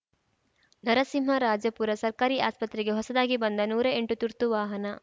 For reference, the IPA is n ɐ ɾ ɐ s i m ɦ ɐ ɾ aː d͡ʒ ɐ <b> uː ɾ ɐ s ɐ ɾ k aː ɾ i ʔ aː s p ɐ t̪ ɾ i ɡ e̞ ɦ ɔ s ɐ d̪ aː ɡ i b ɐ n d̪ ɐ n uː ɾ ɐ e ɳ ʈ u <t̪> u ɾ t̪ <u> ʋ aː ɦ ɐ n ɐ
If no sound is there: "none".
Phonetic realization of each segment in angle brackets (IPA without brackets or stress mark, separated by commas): p, t̪, u